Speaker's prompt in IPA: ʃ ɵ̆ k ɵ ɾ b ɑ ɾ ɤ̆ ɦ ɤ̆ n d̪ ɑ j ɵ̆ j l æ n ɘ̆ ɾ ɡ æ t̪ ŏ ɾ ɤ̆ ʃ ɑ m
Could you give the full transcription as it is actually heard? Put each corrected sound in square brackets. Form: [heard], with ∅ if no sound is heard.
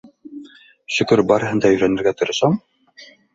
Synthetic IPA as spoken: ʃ ɵ̆ k ɵ ɾ b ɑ ɾ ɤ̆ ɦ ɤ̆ n d̪ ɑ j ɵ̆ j [ɾ] æ n ɘ̆ ɾ ɡ æ t̪ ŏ ɾ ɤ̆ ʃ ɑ m